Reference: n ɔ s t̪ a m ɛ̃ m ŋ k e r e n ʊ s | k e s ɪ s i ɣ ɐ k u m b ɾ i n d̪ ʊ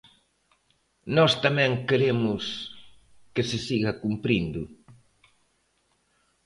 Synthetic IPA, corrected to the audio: n ɔ s t̪ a m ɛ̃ ŋ k e ɾ e m ʊ s | k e s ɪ s i ɣ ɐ k u m p ɾ i n d̪ ʊ